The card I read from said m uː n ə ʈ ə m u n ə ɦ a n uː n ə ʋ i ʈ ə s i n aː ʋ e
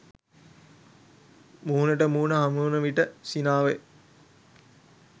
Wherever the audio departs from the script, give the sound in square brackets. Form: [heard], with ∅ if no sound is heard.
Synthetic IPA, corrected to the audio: m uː n ə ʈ ə m [uː] n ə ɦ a [m] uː n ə ʋ i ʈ ə s i n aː ʋ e